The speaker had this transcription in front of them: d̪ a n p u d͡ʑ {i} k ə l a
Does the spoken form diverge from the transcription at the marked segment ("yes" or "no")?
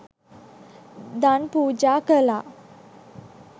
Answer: yes